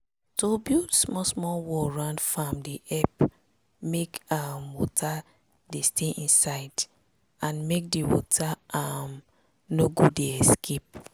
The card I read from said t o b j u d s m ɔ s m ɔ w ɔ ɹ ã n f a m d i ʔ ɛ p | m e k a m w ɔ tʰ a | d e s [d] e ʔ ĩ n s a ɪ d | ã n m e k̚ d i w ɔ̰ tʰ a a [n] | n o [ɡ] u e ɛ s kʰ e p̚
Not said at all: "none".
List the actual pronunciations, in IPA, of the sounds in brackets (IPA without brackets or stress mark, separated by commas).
t, m, ɡ